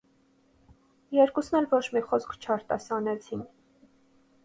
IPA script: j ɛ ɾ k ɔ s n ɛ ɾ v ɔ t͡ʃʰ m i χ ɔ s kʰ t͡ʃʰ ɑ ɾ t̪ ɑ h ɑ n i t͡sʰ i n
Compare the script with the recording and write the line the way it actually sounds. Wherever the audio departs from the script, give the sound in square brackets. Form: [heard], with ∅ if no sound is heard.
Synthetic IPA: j ɛ ɾ k [u] s n ɛ [l] v ɔ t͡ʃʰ m i χ ɔ s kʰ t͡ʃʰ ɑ ɾ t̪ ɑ [s] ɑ n [ɛ] t͡sʰ i n